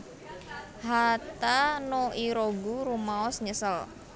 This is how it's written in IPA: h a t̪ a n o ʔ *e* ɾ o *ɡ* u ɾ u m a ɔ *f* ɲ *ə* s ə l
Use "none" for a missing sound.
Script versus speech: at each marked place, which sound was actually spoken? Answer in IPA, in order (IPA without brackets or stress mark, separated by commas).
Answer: i, ɡ, s, ə